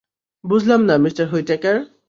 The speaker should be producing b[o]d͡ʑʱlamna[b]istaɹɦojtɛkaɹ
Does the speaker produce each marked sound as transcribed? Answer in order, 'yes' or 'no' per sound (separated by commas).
no, no